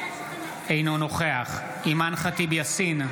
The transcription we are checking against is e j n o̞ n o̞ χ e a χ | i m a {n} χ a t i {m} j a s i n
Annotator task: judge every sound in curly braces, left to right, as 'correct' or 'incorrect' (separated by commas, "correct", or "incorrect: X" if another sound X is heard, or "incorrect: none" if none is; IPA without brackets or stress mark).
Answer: correct, incorrect: b